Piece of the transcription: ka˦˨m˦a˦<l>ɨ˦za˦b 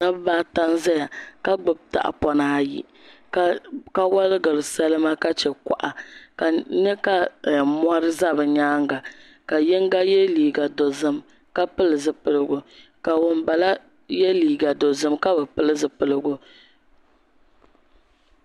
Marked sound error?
yes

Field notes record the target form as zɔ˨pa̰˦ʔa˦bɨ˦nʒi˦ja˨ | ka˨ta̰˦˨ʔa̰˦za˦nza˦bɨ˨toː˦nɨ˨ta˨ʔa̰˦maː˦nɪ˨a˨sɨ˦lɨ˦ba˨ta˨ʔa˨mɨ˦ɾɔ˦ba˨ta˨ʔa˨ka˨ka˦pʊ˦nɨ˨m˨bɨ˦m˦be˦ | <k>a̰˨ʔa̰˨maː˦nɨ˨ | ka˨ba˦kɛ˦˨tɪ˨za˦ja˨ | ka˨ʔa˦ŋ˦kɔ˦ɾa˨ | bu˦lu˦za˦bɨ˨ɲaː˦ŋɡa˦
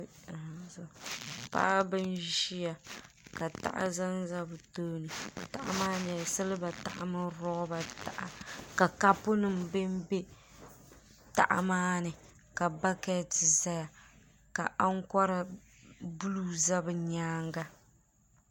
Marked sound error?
yes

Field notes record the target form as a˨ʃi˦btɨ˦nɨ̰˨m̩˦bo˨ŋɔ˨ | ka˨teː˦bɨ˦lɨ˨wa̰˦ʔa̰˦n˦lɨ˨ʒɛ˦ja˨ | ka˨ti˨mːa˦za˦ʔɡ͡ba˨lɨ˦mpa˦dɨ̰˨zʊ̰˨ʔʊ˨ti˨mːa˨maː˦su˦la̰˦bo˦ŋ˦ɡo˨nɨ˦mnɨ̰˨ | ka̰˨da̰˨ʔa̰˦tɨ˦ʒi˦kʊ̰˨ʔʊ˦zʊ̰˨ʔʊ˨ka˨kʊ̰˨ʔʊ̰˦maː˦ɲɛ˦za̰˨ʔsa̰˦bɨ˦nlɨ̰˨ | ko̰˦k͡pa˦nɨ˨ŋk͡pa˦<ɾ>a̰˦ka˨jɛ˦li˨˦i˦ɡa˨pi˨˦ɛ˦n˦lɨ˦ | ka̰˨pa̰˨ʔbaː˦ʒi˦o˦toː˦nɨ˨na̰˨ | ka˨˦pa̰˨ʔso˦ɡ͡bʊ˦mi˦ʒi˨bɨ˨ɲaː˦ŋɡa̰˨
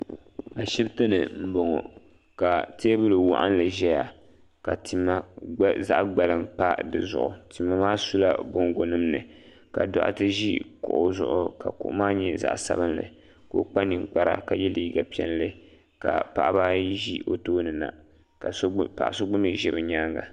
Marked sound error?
no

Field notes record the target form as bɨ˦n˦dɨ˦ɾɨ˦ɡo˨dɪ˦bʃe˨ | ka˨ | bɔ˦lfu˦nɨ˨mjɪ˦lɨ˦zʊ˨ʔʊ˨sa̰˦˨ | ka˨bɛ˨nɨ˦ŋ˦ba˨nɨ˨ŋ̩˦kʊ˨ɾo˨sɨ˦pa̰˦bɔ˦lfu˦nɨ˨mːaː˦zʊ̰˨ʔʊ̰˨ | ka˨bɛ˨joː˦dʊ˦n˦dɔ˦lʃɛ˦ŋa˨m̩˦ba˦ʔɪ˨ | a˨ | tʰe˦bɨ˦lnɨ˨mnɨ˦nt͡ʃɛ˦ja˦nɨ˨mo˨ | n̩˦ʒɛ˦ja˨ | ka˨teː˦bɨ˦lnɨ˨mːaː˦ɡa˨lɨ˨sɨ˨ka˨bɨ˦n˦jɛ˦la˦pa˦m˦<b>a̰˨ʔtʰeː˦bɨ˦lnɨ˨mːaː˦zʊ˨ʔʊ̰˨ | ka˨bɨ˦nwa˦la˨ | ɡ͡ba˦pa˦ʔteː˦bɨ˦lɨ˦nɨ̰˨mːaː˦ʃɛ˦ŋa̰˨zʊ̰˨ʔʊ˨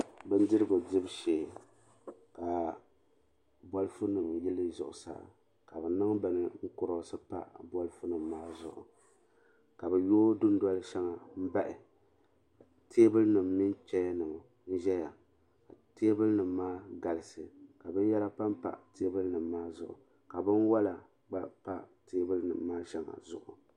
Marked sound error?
yes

